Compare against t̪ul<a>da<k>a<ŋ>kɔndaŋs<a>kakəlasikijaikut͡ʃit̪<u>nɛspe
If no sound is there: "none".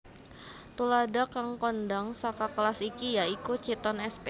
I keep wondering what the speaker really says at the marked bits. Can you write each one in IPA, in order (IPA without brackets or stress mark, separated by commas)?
a, k, ŋ, a, ɔ